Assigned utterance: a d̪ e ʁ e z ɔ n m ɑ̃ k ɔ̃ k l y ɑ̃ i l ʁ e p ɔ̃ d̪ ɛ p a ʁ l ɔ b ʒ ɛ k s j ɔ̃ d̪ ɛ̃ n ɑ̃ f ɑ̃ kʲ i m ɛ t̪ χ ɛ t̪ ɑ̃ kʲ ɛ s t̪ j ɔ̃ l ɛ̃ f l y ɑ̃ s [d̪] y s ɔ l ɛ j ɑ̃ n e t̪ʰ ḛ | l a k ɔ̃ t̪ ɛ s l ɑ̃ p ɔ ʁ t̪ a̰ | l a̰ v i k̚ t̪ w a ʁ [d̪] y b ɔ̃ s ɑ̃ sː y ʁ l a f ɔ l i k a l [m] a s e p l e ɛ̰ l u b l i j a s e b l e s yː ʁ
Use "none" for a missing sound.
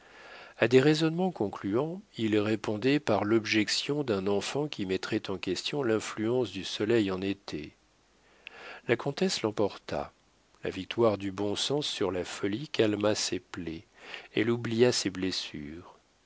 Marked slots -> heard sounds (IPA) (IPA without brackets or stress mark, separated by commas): d̪, d̪, m